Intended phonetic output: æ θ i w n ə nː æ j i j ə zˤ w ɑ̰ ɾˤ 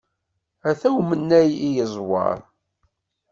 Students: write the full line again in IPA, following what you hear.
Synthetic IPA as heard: æ θ æ w m ə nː æ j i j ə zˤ w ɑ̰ ɾˤ